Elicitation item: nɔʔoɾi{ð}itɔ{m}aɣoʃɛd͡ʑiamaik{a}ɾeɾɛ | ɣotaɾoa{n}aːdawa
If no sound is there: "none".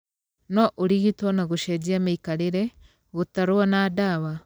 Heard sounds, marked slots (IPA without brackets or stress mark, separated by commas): ɣ, n, a, n